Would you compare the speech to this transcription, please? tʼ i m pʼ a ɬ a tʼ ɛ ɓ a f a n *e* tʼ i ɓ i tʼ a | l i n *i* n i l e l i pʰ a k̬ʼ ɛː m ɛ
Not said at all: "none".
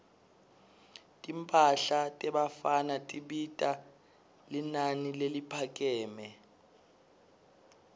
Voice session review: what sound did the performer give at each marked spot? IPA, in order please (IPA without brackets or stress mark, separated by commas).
a, a